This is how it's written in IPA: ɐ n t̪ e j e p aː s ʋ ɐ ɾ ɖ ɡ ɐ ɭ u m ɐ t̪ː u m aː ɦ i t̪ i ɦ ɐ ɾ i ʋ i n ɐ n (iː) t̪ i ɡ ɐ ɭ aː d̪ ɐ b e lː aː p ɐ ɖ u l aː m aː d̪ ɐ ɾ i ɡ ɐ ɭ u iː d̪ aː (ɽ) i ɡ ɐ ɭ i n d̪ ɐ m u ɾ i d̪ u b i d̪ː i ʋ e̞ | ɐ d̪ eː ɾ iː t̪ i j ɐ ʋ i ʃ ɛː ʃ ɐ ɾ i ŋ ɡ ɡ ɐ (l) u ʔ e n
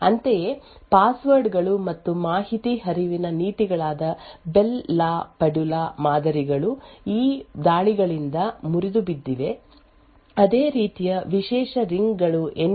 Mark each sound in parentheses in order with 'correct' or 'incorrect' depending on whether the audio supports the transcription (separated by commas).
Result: correct, incorrect, incorrect